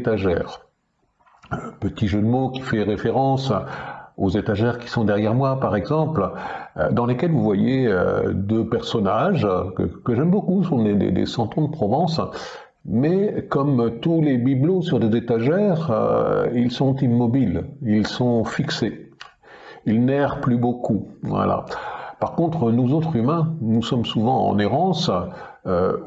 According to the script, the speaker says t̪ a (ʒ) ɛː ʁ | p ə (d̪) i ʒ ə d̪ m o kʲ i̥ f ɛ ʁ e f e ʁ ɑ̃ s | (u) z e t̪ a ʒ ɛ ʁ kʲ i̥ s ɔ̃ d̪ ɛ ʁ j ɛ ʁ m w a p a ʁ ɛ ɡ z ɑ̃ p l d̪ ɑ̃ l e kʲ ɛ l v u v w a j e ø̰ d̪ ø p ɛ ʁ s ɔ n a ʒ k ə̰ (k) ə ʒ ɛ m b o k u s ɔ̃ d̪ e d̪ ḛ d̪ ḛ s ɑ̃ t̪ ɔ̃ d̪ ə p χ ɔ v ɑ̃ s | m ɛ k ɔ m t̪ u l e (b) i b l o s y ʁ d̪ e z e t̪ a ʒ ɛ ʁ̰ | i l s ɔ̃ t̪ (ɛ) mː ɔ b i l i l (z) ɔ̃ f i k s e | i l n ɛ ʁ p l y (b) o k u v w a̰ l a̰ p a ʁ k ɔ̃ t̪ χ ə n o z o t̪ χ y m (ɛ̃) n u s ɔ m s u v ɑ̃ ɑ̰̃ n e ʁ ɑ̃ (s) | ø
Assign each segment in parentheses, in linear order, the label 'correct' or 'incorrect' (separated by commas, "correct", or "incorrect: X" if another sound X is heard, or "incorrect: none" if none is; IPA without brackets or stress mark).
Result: correct, incorrect: t̪, incorrect: o, correct, correct, incorrect: i, incorrect: s, correct, correct, correct